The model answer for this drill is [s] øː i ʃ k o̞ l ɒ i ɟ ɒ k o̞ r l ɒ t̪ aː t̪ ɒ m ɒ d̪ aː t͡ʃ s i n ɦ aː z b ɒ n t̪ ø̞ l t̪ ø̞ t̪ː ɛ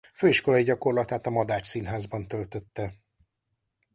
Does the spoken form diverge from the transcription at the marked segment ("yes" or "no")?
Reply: yes